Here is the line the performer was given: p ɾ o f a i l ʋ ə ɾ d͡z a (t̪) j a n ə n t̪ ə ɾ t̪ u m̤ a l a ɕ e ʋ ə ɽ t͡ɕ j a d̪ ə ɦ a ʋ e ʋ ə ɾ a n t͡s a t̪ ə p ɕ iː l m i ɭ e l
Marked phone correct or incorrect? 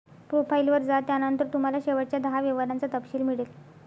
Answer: correct